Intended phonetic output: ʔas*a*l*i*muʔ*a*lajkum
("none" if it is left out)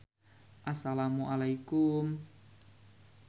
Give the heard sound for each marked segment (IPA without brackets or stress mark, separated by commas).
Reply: a, a, a